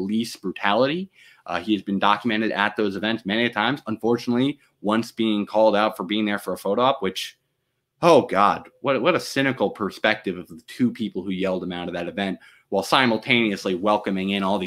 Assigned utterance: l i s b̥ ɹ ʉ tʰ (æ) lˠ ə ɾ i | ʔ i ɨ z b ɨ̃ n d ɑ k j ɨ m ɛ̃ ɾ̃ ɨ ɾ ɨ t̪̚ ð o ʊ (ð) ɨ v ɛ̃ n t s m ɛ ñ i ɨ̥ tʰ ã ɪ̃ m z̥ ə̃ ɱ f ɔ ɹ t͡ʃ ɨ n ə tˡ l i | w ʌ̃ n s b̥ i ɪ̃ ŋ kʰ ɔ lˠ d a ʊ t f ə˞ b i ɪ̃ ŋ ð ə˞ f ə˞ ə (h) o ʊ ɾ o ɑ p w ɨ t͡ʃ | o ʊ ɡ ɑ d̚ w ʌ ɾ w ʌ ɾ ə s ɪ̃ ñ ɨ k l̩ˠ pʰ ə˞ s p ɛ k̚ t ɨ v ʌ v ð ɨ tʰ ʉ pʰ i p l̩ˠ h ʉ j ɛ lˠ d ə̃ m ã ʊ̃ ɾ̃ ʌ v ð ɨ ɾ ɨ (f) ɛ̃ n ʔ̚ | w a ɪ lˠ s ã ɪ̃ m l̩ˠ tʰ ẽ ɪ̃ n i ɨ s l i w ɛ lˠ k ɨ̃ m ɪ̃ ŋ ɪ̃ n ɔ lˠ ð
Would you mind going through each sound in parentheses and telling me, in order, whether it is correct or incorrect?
correct, incorrect: z, incorrect: f, incorrect: v

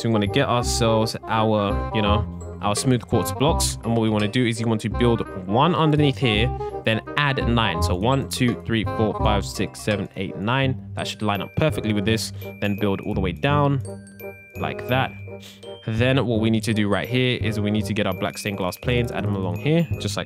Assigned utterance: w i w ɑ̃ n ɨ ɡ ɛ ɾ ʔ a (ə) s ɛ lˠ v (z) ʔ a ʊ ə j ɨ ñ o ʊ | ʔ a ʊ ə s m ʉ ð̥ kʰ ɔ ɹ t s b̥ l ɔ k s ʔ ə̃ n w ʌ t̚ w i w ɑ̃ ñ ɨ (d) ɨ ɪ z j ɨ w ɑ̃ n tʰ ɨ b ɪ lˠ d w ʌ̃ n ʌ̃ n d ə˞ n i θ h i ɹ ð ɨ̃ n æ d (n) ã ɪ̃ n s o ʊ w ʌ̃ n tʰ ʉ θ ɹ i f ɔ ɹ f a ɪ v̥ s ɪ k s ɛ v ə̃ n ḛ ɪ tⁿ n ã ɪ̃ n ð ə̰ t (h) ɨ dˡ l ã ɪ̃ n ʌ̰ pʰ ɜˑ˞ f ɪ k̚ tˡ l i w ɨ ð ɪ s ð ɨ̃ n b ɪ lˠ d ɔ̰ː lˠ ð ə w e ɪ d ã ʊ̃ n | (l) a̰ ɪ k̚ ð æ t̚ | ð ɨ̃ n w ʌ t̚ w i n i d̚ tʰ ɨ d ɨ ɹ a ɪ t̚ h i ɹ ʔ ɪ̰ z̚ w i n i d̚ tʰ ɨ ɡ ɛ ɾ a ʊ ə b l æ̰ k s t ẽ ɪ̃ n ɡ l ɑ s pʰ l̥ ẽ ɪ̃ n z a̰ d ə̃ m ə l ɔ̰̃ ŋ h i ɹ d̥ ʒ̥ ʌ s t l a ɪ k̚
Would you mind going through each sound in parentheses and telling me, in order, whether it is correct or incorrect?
correct, correct, correct, correct, incorrect: ʃ, correct

